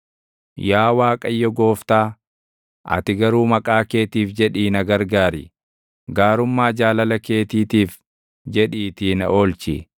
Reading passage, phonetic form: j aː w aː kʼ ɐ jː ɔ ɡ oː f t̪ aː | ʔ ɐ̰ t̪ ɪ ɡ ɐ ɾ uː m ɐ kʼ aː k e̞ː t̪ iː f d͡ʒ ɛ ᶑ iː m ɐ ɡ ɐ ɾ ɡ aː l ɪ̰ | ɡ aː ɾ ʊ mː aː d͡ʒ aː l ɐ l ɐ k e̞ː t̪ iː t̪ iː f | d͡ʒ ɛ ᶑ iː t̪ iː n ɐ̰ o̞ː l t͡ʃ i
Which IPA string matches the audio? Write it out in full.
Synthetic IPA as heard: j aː w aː kʼ ɐ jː ɔ ɡ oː f t̪ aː | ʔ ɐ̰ t̪ ɪ ɡ ɐ ɾ uː m ɐ kʼ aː k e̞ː t̪ iː f d͡ʒ ɛ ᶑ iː n ɐ ɡ ɐ ɾ ɡ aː ɾ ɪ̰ | ɡ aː ɾ ʊ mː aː d͡ʒ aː l ɐ l ɐ k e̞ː t̪ iː t̪ iː f | d͡ʒ ɛ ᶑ iː t̪ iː n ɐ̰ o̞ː l t͡ʃ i